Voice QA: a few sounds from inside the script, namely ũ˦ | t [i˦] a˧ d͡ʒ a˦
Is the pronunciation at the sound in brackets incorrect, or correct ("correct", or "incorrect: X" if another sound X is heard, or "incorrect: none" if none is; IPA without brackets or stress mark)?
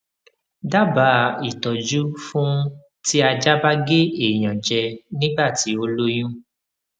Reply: correct